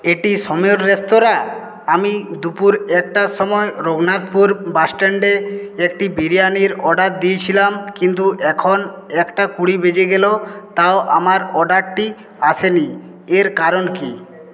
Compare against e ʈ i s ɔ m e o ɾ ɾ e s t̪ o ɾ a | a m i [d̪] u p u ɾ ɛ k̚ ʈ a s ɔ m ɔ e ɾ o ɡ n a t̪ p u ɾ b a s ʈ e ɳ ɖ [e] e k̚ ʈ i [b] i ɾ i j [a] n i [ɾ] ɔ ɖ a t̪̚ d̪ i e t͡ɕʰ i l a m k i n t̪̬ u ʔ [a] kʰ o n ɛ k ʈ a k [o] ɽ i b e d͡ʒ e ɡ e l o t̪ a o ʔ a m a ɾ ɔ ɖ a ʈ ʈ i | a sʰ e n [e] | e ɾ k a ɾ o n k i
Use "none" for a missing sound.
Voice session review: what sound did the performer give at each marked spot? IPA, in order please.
d̪, e, b, a, ɾ, ɛ, u, i

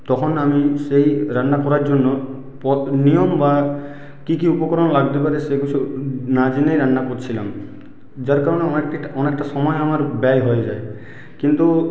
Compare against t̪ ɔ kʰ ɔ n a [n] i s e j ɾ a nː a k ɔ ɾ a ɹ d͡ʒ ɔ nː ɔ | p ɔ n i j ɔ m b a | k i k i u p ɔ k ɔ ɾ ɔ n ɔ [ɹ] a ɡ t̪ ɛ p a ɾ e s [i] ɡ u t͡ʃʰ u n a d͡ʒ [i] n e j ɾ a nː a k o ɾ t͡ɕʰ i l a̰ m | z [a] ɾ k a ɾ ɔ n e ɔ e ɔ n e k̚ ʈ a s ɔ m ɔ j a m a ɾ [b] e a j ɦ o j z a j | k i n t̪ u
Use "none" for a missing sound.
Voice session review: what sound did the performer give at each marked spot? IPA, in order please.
m, l, e, i, a, b

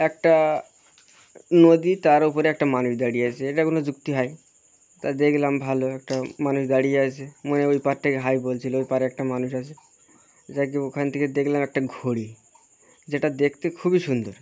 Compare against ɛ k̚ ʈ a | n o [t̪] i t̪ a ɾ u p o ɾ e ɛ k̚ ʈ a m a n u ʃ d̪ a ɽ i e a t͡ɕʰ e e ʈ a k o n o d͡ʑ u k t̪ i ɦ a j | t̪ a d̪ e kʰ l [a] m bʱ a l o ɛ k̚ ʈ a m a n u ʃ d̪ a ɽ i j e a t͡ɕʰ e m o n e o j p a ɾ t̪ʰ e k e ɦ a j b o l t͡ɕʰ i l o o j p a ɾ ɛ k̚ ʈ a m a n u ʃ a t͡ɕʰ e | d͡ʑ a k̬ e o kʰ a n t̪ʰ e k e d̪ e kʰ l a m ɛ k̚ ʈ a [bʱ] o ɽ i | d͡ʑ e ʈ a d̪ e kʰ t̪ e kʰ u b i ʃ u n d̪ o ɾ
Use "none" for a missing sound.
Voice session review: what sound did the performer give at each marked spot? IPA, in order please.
d̪, a, ɡʱ

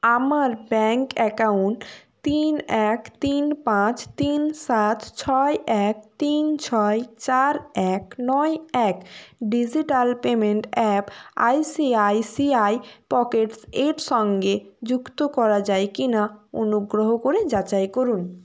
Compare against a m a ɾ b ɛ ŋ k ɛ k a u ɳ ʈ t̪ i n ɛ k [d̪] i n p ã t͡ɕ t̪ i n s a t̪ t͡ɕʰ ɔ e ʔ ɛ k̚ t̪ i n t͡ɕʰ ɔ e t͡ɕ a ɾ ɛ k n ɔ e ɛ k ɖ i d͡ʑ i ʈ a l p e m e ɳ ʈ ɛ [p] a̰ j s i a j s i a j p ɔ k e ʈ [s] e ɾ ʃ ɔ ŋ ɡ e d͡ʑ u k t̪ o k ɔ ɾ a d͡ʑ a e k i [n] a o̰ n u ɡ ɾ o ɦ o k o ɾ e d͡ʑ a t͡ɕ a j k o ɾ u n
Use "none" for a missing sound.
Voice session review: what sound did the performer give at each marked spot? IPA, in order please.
t̪, p, s, n

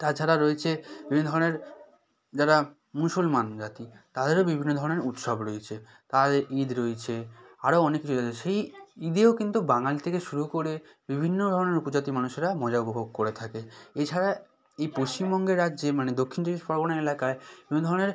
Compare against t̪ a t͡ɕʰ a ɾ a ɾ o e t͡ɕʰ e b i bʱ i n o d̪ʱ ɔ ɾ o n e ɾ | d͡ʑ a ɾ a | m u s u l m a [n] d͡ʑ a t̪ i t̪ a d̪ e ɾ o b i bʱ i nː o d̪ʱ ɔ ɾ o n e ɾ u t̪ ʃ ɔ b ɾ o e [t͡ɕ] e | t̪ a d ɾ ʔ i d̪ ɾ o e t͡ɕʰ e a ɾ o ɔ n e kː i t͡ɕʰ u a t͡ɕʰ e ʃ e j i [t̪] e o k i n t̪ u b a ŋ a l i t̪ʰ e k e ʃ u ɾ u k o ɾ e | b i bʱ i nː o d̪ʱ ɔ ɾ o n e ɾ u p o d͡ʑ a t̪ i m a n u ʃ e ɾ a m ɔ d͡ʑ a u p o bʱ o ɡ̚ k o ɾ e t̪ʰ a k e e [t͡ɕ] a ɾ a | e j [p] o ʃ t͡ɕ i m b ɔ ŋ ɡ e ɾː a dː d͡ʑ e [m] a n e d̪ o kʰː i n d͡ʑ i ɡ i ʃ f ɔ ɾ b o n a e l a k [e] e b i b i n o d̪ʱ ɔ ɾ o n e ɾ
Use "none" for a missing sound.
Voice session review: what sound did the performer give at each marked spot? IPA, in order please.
n, t͡ɕʰ, d̪, t͡ɕʰ, p, m, a

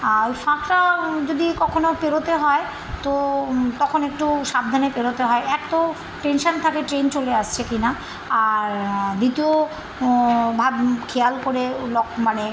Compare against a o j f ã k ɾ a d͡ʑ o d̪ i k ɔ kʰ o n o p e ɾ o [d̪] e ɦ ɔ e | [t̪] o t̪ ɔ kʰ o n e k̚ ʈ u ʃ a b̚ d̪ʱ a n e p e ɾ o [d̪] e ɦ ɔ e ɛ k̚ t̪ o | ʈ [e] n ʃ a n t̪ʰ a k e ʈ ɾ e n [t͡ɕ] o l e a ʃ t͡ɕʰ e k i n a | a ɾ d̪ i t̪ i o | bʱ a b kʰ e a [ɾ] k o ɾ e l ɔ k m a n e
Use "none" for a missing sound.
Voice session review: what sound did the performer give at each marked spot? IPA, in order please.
t̪, t̪, t̪, e, t͡ɕ, l

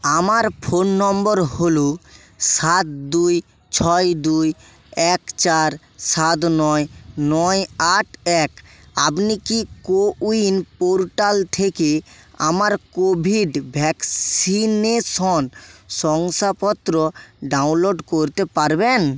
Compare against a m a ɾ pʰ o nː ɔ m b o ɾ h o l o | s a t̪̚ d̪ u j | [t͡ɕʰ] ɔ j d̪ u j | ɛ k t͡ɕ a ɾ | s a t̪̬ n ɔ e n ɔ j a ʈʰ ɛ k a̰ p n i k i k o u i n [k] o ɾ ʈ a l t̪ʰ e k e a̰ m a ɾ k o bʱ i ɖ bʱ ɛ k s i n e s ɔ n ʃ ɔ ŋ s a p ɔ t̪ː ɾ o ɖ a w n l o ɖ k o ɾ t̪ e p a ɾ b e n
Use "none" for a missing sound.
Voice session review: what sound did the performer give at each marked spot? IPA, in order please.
t͡ɕʰ, p

